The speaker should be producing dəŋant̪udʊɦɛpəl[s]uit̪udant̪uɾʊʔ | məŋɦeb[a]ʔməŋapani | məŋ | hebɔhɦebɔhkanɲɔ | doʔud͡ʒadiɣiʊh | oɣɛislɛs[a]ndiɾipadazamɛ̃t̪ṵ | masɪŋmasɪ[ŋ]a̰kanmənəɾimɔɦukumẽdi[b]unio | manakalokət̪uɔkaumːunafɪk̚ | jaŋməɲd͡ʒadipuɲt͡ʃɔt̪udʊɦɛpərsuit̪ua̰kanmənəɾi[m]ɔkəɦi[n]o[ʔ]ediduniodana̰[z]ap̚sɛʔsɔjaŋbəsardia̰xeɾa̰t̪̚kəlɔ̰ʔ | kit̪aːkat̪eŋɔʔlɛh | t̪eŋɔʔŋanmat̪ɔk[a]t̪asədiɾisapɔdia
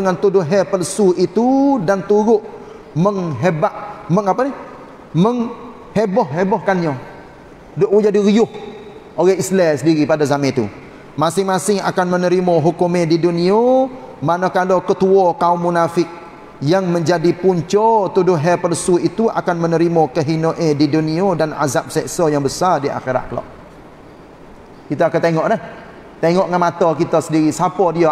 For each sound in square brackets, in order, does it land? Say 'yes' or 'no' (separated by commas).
yes, yes, no, yes, no, yes, yes, yes, yes, no